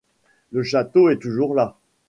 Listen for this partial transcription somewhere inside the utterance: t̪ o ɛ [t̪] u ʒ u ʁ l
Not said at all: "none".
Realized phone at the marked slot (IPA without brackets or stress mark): t̪